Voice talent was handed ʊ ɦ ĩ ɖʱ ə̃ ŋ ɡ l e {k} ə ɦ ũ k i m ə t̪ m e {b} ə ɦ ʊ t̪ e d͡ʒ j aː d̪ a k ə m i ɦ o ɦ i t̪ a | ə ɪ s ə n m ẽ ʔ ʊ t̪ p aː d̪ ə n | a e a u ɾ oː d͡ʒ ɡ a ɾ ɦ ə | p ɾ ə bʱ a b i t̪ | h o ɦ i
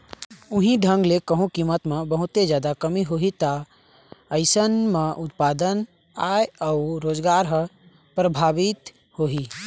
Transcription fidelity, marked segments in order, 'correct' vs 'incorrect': correct, correct

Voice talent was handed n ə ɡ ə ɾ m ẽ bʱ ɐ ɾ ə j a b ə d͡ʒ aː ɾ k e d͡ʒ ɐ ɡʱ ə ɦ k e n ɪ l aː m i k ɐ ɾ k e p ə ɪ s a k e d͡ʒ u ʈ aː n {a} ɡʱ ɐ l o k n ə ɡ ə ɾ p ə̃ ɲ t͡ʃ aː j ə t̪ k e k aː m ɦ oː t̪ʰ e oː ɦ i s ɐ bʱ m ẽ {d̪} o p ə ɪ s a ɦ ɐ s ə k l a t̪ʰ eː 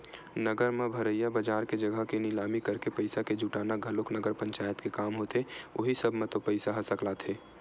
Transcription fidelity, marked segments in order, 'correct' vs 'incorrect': correct, incorrect: t̪

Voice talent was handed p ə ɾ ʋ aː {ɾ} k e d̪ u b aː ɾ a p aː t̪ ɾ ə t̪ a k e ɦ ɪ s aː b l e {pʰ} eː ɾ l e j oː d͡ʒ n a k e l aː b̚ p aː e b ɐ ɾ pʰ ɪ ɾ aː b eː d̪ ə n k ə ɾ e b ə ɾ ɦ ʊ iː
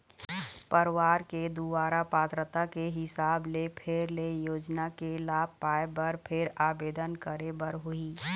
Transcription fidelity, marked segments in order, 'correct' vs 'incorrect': correct, correct

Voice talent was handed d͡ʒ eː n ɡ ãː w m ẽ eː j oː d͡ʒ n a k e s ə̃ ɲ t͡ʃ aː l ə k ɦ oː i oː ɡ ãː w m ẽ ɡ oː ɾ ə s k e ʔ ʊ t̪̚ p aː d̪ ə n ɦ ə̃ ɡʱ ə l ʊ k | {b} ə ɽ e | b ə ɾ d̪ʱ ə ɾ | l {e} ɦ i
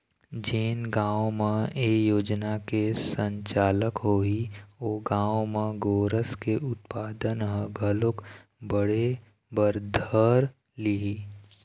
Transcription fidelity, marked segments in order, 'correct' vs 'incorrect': correct, incorrect: i

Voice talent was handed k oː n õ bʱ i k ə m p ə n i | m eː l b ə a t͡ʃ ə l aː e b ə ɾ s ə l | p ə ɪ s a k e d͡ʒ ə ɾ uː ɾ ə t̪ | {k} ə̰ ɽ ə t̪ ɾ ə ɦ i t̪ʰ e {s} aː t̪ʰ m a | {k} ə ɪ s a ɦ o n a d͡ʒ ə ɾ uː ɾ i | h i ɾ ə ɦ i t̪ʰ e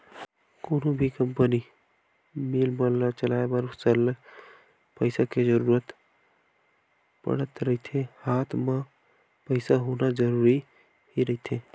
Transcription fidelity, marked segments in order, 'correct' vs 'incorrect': incorrect: p, incorrect: h, incorrect: p

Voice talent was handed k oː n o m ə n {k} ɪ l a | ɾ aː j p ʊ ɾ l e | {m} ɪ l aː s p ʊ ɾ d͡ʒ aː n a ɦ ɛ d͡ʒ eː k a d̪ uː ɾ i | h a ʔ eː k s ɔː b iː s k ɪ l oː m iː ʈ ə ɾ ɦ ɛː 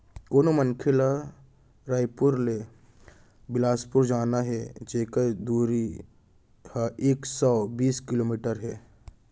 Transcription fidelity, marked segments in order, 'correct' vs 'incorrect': incorrect: kʰ, incorrect: b

